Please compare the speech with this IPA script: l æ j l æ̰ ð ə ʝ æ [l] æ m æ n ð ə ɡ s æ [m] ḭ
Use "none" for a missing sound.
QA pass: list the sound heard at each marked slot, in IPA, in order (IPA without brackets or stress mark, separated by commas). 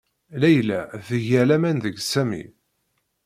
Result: l, m